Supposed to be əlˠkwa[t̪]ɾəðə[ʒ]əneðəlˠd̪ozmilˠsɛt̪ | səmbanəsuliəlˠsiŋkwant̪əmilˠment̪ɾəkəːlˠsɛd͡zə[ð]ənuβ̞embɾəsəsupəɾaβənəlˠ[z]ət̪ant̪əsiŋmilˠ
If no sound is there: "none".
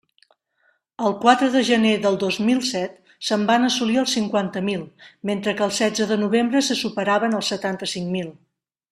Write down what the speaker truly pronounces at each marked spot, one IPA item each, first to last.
t̪, ʒ, ð, s

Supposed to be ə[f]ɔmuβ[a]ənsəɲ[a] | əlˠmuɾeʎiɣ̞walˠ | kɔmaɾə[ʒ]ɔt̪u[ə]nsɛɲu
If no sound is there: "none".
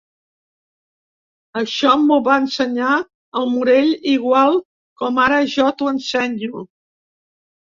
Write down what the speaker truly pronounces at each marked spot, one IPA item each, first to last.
ʃ, a, a, ʒ, ə

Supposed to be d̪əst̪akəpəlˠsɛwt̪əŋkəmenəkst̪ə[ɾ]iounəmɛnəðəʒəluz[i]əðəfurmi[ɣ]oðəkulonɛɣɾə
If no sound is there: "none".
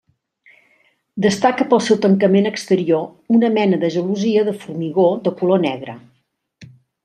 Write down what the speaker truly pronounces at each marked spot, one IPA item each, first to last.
ɾ, i, ɣ

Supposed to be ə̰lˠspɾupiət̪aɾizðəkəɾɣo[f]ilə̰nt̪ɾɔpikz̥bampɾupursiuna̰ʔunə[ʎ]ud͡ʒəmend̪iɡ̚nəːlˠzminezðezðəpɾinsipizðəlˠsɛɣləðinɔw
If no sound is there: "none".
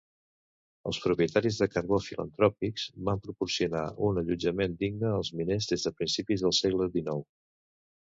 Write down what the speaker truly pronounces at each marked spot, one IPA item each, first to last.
f, ʎ

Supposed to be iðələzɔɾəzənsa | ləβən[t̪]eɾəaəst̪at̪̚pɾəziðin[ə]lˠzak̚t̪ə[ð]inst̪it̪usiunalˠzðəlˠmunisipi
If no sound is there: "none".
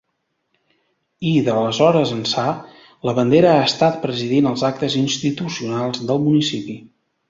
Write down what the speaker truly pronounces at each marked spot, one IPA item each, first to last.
d̪, ə, z

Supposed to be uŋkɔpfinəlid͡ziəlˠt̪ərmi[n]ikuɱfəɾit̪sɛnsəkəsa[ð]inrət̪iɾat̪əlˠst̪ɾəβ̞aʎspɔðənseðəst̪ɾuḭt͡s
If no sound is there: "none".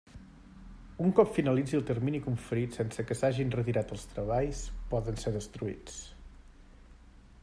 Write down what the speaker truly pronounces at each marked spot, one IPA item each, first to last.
n, ʒ

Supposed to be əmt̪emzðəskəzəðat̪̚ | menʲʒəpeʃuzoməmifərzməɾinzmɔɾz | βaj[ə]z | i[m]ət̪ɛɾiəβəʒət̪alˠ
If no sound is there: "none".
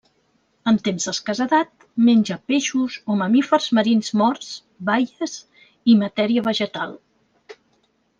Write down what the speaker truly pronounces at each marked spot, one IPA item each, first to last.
ə, m

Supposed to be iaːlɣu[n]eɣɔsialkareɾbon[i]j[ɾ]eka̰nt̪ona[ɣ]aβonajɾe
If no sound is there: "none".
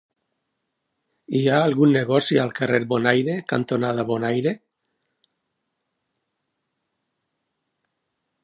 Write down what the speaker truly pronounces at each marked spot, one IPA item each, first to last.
nː, a, ɾ, ð

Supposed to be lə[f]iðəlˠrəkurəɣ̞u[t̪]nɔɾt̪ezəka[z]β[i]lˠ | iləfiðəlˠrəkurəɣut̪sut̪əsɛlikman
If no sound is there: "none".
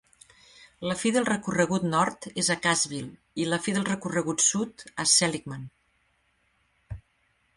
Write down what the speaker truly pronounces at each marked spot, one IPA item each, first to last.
f, t̪, z, i

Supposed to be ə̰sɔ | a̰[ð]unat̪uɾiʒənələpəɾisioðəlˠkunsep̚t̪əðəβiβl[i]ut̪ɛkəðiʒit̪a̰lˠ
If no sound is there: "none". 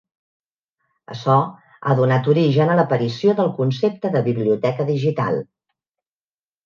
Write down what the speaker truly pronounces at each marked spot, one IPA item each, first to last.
ð, i

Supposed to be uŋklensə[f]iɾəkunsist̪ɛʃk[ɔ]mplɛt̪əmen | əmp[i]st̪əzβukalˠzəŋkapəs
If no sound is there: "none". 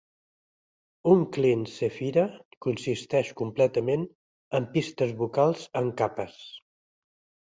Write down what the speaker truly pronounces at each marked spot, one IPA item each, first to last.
f, u, i

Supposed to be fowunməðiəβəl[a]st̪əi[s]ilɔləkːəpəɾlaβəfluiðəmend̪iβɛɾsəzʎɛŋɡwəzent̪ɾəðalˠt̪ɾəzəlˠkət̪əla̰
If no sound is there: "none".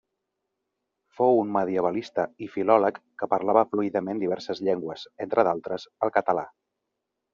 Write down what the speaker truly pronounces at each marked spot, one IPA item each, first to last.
i, f

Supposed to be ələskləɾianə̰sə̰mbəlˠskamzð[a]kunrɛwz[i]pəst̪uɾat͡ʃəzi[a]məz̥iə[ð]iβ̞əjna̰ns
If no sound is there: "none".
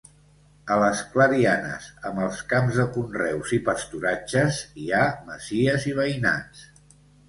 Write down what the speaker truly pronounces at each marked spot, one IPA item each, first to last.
ə, i, a, z

